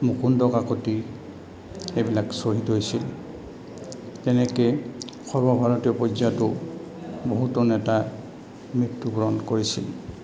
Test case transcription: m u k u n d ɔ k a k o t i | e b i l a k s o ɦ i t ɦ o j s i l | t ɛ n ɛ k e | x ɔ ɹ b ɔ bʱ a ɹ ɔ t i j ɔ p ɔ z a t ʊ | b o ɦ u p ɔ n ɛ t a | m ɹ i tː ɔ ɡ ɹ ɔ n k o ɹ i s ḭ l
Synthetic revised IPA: m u k u n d ɔ k a k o t i | e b i l a k s o ɦ i t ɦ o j s i l | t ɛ n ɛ k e | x ɔ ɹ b ɔ bʱ a ɹ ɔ t i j ɔ p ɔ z a t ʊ | b o ɦ u t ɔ n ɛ t a | m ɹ i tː u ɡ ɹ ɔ n k o ɹ i s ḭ l